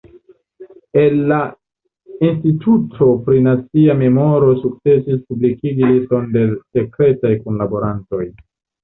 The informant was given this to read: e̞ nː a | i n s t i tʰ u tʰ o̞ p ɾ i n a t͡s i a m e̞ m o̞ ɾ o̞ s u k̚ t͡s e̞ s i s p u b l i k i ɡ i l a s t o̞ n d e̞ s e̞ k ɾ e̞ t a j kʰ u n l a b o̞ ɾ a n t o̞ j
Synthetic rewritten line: e̞ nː a | i n s t i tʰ u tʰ o̞ p ɾ i n a t͡s i a m e̞ m o̞ ɾ o̞ s u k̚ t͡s e̞ s i s p u b l i k i ɡ i l i s t o̞ n d e̞ s e̞ k ɾ e̞ t a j k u n l a b o̞ ɾ a n t o̞ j